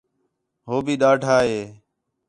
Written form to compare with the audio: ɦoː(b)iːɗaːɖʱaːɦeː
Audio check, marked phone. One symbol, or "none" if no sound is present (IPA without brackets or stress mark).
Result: b